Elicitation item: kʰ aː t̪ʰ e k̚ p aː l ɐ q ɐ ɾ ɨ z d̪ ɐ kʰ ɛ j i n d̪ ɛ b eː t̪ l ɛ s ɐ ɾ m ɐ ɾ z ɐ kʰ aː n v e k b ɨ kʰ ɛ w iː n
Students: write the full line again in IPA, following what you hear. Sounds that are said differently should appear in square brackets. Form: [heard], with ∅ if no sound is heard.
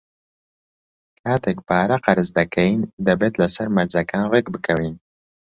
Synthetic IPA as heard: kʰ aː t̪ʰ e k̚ p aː [ɾ] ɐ q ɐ ɾ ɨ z d̪ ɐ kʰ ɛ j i n d̪ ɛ b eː t̪ l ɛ s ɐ ɾ m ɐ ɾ z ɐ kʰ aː n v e k b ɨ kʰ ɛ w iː n

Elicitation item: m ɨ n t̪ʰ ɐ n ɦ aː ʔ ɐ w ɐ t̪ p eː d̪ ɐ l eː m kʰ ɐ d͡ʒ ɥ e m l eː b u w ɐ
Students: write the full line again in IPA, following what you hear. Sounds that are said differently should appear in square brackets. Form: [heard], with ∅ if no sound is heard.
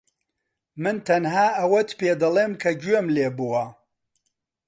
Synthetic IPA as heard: m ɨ n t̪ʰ ɐ n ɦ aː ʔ ɐ w ɐ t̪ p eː d̪ ɐ l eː m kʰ ɐ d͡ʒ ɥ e m l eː b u w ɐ

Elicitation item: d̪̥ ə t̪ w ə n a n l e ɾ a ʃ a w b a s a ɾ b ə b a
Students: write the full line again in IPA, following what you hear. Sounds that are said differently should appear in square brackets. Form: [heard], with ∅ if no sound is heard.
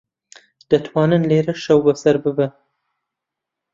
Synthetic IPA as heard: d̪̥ ə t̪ w [ɑ] n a n l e ɾ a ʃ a w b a s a ɾ b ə b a

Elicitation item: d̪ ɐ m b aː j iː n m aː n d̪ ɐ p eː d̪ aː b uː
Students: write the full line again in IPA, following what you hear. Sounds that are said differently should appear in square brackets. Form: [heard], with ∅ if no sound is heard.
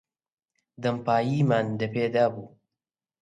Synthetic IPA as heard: d̪ ɐ m [p] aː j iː [∅] m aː n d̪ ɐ p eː d̪ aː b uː

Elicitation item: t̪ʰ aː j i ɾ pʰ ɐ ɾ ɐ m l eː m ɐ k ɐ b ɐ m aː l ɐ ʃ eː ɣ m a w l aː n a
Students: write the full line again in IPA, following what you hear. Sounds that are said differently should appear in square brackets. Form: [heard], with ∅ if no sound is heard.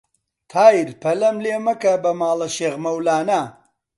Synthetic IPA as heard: t̪ʰ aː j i ɾ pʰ ɐ [l] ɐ m l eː m ɐ k ɐ b ɐ m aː l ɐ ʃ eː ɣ m [ɐ] w l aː n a

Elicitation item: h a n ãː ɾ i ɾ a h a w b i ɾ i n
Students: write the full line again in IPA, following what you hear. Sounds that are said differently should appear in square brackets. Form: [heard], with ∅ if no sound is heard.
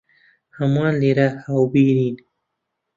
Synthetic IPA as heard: h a [m] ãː [l] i ɾ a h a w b i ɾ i n

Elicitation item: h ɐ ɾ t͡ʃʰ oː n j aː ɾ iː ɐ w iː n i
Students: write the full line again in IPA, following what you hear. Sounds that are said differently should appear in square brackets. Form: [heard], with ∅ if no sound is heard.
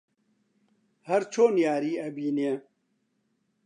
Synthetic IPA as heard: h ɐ ɾ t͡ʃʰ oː n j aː ɾ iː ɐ [b] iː n [e]

